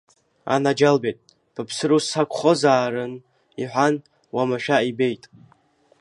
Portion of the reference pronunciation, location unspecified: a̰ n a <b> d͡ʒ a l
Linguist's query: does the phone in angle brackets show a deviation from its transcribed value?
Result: yes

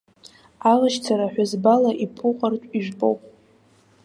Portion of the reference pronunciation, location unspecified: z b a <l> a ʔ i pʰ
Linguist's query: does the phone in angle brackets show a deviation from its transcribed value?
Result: no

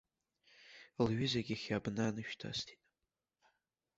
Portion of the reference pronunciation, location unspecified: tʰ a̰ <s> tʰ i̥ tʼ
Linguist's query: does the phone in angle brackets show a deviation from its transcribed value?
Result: no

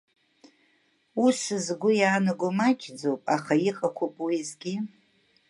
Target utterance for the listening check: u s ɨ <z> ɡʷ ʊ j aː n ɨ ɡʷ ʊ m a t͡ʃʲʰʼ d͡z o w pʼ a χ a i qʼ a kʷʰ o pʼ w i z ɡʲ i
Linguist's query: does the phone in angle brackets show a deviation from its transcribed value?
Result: no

